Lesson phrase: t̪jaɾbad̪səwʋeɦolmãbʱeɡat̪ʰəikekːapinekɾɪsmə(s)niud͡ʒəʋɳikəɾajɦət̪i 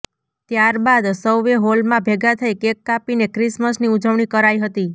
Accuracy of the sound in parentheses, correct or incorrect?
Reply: correct